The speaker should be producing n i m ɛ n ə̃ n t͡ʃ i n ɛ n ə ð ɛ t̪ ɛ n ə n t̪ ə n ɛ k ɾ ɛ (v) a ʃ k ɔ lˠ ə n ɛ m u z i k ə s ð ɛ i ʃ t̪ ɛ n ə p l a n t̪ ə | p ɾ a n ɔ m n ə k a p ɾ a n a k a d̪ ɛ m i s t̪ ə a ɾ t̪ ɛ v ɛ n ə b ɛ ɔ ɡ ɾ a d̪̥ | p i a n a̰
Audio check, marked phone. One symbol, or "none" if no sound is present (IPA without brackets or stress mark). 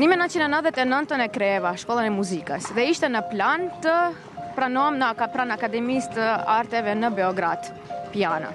v